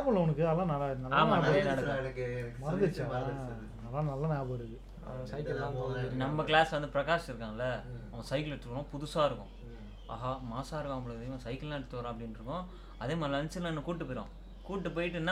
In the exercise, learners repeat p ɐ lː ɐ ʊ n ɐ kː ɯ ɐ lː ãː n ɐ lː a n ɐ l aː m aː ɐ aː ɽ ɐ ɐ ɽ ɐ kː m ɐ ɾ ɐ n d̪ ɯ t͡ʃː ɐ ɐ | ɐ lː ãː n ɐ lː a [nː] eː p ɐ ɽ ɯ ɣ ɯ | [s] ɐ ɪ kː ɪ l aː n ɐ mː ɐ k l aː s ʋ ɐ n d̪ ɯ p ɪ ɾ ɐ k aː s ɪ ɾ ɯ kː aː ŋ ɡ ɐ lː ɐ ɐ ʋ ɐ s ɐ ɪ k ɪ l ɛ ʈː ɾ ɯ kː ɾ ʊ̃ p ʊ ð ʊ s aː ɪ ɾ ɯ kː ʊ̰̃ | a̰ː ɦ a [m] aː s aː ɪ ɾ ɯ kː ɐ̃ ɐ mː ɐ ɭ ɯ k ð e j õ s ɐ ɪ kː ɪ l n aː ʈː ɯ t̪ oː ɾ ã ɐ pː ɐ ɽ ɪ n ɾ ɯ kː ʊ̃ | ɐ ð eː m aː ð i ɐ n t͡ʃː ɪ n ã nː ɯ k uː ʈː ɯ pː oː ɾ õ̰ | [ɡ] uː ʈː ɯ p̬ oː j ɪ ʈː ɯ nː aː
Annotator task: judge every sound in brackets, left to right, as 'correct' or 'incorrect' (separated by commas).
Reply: incorrect, correct, correct, incorrect